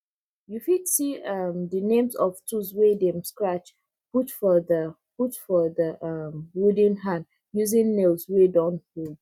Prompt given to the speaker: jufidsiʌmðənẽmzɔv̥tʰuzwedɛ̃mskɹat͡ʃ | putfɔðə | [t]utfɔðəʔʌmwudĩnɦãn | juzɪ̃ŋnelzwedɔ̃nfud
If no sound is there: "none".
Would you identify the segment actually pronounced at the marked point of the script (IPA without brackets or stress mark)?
p